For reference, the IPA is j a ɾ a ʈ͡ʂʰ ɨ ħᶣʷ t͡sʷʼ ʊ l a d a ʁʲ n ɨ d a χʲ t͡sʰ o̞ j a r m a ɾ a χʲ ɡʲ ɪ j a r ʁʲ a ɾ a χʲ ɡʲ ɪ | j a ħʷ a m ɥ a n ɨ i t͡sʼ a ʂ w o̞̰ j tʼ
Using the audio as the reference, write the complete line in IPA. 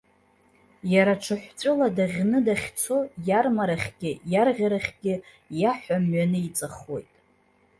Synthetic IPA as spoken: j a ɾ a ʈ͡ʂʰ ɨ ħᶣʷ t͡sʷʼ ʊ l a d a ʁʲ n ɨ d a χʲ t͡sʰ o̞ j a r m a ɾ a χʲ ɡʲ ɪ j a r ʁʲ a ɾ a χʲ ɡʲ ɪ | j a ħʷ a m ɥ a n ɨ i t͡sʼ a χ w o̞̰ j tʼ